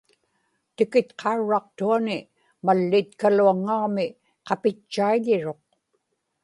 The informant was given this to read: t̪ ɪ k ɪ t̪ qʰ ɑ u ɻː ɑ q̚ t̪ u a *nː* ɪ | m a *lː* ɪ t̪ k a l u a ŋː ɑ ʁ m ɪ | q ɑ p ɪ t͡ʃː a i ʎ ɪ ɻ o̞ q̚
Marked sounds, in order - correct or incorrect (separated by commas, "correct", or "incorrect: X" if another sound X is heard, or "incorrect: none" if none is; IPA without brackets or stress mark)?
incorrect: n, correct